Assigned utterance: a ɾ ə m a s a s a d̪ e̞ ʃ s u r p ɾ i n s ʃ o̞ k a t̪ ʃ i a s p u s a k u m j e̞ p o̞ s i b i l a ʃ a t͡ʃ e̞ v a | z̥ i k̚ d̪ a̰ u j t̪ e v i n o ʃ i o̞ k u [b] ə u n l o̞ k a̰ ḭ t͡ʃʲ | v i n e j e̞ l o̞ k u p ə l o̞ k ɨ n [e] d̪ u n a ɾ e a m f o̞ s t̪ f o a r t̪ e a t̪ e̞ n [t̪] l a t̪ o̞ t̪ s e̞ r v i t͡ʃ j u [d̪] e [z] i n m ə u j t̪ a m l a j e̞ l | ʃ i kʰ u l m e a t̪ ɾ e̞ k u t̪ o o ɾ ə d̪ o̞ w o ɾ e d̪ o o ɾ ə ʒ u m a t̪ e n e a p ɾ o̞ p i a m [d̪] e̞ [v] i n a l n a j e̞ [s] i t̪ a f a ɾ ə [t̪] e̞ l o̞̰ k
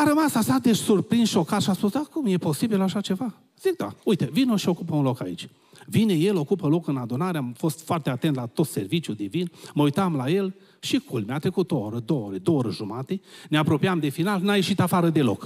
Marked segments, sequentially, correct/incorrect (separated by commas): incorrect, incorrect, correct, correct, incorrect, correct, incorrect, incorrect, incorrect